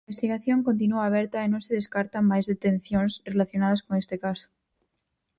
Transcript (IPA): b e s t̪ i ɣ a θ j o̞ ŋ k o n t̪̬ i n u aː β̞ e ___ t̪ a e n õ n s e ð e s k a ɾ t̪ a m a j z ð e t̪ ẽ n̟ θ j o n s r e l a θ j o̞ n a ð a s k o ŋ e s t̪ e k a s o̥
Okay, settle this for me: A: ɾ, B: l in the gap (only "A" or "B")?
A